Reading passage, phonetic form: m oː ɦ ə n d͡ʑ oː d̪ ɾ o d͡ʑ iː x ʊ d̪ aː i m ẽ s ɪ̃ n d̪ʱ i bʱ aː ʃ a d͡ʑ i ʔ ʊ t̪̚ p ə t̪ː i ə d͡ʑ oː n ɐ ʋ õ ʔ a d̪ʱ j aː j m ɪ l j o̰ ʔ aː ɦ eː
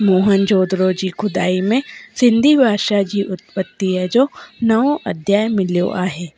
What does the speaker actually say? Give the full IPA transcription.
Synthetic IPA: m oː ɦ ə n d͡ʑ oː d̪ ɾ o d͡ʑ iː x ʊ d̪ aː i m ẽ s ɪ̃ n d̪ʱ i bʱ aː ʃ a d͡ʑ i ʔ ʊ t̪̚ p ə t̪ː i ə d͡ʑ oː n ɐ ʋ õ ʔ ɐ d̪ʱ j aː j m ɪ l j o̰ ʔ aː ɦ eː